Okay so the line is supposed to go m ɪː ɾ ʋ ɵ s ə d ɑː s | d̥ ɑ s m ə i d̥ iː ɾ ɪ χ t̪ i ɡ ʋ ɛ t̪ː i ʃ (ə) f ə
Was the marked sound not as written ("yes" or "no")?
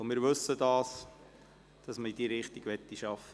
yes